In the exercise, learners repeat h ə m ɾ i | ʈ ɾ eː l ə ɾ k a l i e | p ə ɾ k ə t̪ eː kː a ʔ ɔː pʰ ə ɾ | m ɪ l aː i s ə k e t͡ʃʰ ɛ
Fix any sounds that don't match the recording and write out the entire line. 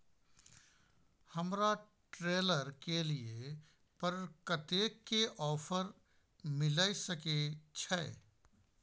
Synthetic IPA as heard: h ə m ɾ a | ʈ ɾ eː l ə ɾ k e l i e | p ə ɾ k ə t̪ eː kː e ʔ ɔː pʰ ə ɾ | m ɪ l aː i s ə k e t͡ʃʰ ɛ